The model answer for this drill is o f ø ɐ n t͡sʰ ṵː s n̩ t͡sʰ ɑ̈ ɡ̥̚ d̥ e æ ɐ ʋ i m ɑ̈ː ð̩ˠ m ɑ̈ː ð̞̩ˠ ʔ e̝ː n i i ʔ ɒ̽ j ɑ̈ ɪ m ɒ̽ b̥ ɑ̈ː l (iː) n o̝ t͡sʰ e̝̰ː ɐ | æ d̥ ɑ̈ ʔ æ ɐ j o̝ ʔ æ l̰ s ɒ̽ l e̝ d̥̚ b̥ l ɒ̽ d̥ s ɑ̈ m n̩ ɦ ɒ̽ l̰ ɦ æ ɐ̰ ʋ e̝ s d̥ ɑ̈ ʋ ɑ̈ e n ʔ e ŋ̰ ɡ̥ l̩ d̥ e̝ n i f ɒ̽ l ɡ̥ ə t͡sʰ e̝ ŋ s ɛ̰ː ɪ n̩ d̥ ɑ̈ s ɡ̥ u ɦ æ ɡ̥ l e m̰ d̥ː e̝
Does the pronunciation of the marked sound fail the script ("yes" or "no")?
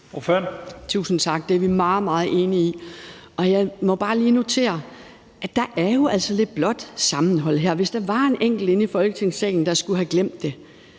no